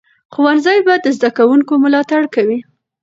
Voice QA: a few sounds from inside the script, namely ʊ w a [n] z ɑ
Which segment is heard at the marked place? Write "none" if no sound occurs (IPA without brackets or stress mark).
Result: n